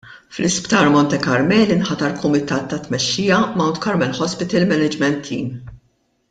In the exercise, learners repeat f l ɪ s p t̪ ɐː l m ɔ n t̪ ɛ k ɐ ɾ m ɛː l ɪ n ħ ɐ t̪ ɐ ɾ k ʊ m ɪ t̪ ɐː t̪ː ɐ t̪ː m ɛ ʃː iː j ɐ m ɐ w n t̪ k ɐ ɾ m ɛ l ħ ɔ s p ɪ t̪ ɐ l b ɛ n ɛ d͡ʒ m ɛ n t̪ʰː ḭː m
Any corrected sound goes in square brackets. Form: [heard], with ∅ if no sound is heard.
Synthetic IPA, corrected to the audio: f l ɪ s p t̪ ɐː [ɾ] m ɔ n t̪ ɛ k ɐ ɾ m ɛː l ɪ n ħ ɐ t̪ ɐ ɾ k ʊ m ɪ t̪ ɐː t̪ː ɐ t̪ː m ɛ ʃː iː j ɐ m ɐ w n t̪ k ɐ ɾ m ɛ l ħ ɔ s p ɪ t̪ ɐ l [m] ɛ n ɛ d͡ʒ m ɛ n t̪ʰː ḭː m